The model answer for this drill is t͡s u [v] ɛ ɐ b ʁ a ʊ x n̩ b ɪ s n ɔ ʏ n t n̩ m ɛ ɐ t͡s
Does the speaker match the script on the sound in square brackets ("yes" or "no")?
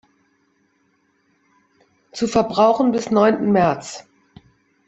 no